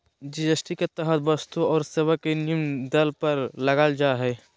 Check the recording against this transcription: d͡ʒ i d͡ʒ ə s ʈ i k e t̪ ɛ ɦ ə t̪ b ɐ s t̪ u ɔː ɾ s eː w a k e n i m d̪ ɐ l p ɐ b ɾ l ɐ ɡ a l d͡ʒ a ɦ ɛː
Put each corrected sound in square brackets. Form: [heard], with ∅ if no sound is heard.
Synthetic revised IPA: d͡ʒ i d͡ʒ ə s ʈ i k e t̪ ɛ ɦ ə t̪ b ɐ s t̪ u ɔː ɾ s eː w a k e n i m d̪ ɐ l p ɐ [∅] ɾ l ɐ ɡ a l d͡ʒ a ɦ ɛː